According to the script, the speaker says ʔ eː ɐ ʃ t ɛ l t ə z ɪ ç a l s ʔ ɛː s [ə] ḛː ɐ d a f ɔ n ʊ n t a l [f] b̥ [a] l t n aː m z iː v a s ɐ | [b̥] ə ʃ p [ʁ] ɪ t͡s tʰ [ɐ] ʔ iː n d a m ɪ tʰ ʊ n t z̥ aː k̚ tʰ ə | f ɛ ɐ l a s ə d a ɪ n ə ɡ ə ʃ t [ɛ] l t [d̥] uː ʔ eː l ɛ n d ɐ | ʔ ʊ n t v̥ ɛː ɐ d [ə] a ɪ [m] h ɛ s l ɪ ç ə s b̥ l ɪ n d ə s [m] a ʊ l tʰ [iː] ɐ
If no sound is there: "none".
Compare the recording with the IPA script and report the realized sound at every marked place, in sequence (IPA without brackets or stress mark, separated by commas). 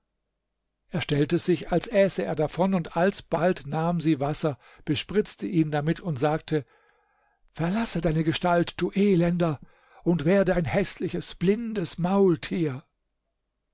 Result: ə, s, a, b̥, ʁ, ə, a, d̥, ə, n, m, iː